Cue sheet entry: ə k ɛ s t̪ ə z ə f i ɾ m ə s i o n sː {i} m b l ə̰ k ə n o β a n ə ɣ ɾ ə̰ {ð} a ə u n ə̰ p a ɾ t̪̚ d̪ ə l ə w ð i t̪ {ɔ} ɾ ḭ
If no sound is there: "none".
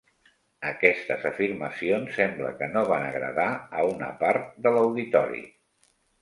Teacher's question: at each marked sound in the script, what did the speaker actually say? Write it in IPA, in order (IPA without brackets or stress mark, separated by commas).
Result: ɛ, ð, ɔ